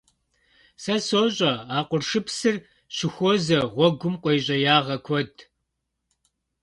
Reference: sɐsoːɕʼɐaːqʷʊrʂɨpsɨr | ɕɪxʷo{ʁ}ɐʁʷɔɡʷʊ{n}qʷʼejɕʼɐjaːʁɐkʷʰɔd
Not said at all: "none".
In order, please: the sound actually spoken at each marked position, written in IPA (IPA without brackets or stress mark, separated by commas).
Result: z, m